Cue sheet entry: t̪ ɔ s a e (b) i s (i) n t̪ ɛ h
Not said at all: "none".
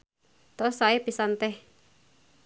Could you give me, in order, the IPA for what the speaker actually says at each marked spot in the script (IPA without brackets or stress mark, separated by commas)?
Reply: p, a